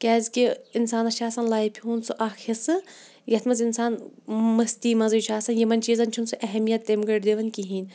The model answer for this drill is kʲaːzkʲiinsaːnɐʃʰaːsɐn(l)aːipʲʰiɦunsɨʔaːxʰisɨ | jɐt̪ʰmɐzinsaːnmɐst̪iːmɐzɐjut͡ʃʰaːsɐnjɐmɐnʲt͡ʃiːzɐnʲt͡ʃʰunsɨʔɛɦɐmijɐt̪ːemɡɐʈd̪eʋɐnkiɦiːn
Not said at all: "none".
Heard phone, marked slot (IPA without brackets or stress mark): l